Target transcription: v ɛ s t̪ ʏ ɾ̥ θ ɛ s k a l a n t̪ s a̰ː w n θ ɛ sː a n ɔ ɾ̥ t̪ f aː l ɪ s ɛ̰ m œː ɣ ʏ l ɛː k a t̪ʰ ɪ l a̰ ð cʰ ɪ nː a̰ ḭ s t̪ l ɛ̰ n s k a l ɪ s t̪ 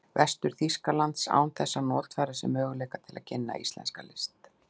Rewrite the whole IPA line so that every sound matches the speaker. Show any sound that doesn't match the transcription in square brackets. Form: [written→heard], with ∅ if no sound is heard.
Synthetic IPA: v ɛ s t̪ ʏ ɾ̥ θ [ɛ→i] s k a l a n t̪ s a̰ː w n θ ɛ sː a n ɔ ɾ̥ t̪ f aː [l→ɾ] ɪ s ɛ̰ m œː ɣ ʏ l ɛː k a t̪ʰ ɪ l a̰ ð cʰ ɪ nː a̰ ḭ s t̪ l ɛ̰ n s k a l ɪ s t̪